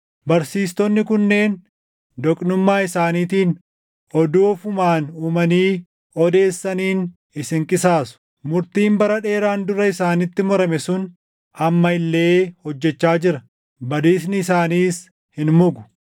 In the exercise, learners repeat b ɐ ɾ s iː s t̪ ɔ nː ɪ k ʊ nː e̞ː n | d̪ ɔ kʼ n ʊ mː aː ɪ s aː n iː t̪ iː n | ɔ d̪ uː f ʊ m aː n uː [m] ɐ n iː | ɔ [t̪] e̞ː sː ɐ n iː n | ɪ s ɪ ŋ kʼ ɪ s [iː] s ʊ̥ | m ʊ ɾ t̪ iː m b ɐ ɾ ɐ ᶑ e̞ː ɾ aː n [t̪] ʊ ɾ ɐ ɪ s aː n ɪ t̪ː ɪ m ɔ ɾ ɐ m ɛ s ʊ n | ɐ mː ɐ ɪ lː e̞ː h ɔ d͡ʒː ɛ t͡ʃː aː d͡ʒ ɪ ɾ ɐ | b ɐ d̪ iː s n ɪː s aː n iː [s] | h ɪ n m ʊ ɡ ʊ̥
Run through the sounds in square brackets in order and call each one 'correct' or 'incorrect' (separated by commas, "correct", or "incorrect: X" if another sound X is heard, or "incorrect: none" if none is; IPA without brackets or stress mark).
correct, incorrect: d̪, incorrect: aː, incorrect: d̪, correct